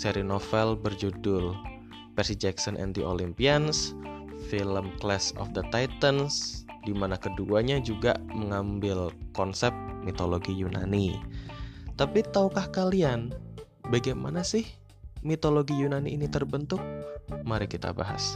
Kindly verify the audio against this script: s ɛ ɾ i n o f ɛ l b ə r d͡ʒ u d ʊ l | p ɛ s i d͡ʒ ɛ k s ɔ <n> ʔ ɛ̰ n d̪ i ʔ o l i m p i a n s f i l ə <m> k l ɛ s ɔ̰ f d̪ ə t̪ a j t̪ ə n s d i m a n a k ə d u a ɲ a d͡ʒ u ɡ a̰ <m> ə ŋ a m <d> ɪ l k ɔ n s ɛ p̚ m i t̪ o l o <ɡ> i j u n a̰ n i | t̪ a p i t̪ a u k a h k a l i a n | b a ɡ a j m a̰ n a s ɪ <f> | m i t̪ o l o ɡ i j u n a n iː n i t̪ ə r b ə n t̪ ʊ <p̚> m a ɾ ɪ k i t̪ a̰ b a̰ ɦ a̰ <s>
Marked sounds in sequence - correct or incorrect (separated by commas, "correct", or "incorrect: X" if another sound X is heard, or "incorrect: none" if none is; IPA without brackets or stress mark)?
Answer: correct, correct, correct, incorrect: b, correct, incorrect: h, incorrect: k̚, correct